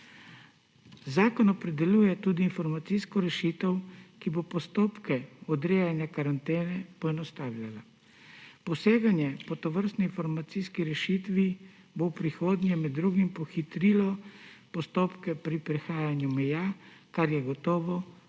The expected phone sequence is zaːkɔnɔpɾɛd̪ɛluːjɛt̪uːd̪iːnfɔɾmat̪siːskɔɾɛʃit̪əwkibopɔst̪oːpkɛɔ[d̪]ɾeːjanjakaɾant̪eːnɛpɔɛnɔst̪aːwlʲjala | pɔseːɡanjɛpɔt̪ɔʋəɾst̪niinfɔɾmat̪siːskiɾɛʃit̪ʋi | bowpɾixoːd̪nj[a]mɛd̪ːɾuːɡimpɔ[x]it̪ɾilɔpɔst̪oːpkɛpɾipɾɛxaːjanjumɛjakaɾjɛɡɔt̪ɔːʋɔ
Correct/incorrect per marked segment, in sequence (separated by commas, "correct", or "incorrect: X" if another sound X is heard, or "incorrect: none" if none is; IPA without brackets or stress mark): correct, incorrect: ɛ, correct